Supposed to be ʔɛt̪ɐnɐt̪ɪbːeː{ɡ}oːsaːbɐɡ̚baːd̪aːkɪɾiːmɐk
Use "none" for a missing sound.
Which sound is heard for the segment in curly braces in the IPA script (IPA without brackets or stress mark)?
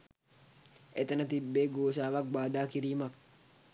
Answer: ɡ